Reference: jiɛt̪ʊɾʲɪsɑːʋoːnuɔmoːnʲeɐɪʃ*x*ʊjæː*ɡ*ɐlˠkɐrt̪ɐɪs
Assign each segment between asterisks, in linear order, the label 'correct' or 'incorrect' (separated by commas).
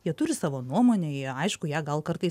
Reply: incorrect, correct